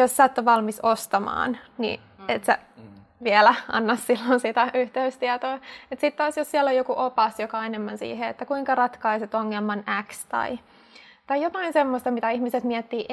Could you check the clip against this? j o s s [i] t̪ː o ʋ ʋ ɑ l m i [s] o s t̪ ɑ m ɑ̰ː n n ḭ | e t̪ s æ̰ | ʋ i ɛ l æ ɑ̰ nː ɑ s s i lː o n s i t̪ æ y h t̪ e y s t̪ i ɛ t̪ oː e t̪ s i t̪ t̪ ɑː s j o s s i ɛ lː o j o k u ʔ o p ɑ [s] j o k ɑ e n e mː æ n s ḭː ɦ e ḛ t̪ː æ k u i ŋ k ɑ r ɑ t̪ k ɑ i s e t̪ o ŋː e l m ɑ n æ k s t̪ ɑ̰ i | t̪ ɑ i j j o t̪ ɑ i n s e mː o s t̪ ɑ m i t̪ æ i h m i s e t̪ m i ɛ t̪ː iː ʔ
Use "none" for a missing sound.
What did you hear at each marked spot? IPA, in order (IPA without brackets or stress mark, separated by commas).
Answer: æ, s, s